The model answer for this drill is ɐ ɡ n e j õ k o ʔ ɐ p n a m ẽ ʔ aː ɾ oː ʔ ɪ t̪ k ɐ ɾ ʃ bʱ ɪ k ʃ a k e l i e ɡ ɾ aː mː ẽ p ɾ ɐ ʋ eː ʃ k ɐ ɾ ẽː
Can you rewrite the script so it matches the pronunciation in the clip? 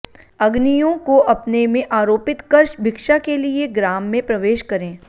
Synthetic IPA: ɐ ɡ n i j õ k o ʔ ɐ p n e m ẽ ʔ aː ɾ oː p ɪ t̪ k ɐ ɾ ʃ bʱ ɪ k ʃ a k e l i e ɡ ɾ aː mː ẽ p ɾ ɐ ʋ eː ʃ k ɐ ɾ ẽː